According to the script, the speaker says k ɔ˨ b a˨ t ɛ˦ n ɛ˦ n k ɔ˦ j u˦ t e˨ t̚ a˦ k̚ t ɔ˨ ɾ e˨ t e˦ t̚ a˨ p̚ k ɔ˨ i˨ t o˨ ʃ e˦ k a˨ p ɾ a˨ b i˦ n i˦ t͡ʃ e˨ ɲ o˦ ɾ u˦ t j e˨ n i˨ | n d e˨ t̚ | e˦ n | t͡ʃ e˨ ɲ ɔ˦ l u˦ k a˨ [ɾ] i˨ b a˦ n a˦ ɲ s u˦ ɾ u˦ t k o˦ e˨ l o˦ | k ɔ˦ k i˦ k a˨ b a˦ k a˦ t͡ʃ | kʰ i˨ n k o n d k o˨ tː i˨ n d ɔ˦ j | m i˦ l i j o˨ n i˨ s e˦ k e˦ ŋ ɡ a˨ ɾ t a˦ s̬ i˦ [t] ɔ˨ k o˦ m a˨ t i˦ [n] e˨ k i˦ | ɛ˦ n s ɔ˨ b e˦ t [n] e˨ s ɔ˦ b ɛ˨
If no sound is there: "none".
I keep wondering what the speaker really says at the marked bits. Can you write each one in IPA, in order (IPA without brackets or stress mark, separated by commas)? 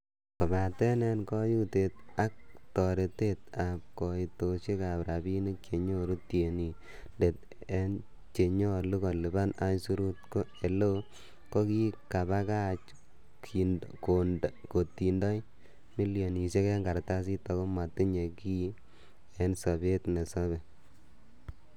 l, t, ɲ, n